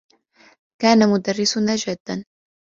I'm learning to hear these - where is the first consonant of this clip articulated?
velum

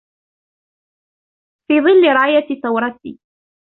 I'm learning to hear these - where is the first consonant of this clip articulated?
lips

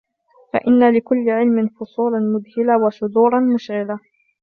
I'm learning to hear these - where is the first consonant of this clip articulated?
lips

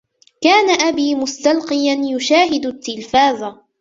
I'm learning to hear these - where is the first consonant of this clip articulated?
velum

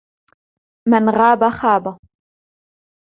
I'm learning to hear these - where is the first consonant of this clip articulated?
lips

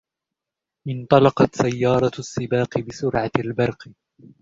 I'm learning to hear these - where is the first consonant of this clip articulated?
throat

